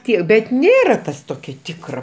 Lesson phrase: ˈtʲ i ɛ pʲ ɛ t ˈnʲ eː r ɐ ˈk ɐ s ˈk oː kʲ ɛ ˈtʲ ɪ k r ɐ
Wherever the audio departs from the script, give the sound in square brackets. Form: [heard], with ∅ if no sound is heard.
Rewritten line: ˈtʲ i ɛ [bʲ] ɛ t ˈnʲ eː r ɐ [ˈt] ɐ s [ˈt] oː kʲ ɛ ˈtʲ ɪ k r ɐ

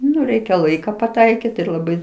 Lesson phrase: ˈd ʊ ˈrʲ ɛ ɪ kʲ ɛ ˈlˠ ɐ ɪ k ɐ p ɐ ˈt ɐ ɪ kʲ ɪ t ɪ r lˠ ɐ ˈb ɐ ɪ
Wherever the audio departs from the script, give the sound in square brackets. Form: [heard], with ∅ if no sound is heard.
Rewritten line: [ˈn] ʊ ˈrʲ ɛ ɪ kʲ ɛ ˈlˠ ɐ ɪ k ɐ p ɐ ˈt ɐ ɪ kʲ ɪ t ɪ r lˠ ɐ ˈb ɐ ɪ

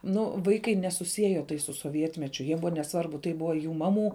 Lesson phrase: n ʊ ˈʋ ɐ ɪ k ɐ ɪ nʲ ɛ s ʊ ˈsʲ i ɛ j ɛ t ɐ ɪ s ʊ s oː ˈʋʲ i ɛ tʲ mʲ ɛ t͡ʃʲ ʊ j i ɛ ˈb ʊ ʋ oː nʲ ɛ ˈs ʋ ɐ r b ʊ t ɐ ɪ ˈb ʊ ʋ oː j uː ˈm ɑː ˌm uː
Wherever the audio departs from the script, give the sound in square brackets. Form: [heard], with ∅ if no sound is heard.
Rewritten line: n ʊ ˈʋ ɐ ɪ k ɐ ɪ nʲ ɛ s ʊ ˈsʲ i ɛ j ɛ t ɐ ɪ s ʊ s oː ˈʋʲ i ɛ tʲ mʲ ɛ t͡ʃʲ ʊ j i ɛ ˈb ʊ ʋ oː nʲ ɛ ˈs ʋ ɐ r b ʊ t ɐ ɪ ˈb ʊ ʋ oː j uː ˈm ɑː ˌm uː

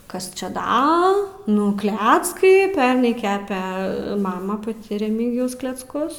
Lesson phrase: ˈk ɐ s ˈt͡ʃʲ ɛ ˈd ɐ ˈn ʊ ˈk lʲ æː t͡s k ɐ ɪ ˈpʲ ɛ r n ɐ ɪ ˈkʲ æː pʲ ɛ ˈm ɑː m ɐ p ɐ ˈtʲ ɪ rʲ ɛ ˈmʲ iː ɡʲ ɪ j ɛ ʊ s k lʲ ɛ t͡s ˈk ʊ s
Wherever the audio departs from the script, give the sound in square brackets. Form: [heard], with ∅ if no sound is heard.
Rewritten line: ˈk ɐ s ˈt͡ʃʲ ɛ ˈd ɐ ˈn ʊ ˈk lʲ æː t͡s k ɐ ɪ ˈpʲ ɛ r n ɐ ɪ ˈkʲ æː pʲ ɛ ˈm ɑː m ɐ p ɐ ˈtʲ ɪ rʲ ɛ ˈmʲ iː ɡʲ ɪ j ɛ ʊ s k lʲ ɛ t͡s ˈk ʊ s

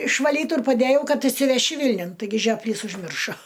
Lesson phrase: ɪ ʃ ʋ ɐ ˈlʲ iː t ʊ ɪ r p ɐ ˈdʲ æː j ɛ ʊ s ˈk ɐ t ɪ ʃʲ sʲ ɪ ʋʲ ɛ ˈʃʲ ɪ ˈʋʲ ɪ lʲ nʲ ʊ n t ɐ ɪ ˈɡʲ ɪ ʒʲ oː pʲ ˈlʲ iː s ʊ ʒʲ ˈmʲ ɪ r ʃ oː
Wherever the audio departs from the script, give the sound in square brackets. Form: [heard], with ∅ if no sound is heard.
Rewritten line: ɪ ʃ ʋ ɐ ˈlʲ iː t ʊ ɪ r p ɐ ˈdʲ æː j ɛ ʊ [∅] ˈk ɐ t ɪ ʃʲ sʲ ɪ ʋʲ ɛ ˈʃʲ ɪ ˈʋʲ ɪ lʲ nʲ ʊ n t ɐ ɪ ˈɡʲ ɪ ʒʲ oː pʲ ˈlʲ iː s ʊ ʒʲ ˈmʲ ɪ r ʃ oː

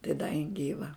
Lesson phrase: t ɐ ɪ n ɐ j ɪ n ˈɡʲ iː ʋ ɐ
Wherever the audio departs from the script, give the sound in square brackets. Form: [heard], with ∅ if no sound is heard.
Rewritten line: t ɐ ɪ [d] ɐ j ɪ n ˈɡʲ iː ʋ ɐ

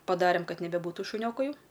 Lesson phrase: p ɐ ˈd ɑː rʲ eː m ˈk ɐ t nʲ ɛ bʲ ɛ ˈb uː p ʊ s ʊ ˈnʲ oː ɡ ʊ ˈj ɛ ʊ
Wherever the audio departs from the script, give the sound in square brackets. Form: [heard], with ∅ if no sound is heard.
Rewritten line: p ɐ ˈd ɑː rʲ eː m ˈk ɐ t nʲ ɛ bʲ ɛ ˈb uː [t] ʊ [ʃ] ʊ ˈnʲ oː [k] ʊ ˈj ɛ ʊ

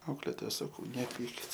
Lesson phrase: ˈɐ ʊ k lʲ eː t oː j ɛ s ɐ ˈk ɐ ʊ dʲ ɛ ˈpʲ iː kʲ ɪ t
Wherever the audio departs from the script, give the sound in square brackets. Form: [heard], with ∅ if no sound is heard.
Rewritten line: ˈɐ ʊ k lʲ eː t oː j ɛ s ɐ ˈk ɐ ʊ [nʲ] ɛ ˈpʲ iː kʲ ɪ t

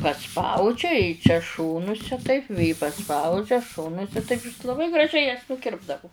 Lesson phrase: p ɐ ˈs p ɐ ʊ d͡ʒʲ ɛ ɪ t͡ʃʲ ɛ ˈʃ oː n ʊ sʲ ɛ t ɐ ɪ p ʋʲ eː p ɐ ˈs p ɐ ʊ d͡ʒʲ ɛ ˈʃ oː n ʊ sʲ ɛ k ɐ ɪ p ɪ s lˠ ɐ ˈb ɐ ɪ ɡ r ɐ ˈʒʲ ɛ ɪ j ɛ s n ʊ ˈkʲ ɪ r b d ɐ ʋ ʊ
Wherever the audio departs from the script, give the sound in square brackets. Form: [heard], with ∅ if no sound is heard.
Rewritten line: p ɐ ˈs p ɐ ʊ d͡ʒʲ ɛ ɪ t͡ʃʲ ɛ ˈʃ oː n ʊ sʲ ɛ t ɐ ɪ p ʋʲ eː p ɐ ˈs p ɐ ʊ d͡ʒʲ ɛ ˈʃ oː n ʊ sʲ ɛ [t] ɐ ɪ p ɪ s lˠ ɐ ˈb ɐ ɪ ɡ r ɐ ˈʒʲ ɛ ɪ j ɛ s n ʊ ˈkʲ ɪ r b d ɐ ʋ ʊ

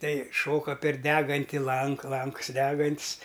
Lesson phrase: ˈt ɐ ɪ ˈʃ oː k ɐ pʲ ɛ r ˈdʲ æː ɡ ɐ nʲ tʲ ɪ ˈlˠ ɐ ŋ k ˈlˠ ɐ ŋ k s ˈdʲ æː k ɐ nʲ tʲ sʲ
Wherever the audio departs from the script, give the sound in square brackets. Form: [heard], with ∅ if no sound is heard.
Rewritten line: ˈt ɐ ɪ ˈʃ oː k ɐ pʲ ɛ r ˈdʲ æː ɡ ɐ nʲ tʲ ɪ ˈlˠ ɐ ŋ k ˈlˠ ɐ ŋ k s ˈdʲ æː [ɡ] ɐ nʲ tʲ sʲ

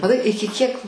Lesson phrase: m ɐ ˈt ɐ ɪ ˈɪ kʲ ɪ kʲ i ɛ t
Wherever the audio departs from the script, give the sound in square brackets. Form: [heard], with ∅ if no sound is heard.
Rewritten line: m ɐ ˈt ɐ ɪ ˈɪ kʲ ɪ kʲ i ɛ [k]

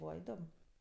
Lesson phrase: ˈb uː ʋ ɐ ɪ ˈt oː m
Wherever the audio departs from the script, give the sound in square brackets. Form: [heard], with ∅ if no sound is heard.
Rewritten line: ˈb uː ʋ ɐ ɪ [ˈd] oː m

